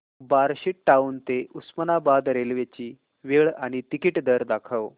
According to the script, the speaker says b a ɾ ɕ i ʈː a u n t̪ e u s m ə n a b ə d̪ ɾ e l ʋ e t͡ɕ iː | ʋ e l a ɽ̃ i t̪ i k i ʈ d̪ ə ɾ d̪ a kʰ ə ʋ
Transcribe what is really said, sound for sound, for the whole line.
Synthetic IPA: b a ɾ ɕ i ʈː a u n t̪ e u s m ə n a b a d̪ ɾ e l ʋ e t͡ɕ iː | ʋ e ɭ a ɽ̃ i t̪ i k i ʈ d̪ ə ɾ d̪ a kʰ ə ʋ